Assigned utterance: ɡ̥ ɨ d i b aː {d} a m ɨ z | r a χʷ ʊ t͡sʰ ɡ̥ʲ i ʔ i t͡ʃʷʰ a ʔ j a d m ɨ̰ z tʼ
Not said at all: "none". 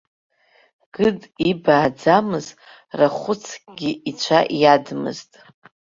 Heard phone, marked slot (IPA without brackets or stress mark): d͡z